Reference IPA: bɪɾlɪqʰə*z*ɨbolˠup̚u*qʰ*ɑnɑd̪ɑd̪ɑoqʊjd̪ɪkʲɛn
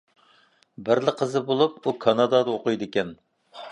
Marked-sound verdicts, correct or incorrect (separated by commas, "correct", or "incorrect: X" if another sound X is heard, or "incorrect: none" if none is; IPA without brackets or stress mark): correct, incorrect: kʰ